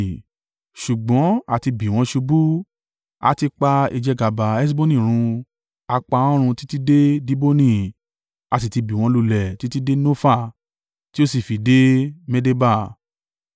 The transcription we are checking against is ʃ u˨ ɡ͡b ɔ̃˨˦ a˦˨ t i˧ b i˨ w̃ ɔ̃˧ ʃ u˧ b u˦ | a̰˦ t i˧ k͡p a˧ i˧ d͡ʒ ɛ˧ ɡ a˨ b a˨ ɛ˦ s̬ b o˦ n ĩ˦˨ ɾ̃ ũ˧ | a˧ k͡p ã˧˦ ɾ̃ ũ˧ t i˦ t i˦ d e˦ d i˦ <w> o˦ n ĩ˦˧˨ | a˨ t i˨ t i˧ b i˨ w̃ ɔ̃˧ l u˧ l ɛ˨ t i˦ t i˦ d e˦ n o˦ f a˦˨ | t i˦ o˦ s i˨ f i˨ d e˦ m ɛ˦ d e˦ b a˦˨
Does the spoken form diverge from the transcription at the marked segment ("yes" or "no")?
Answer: yes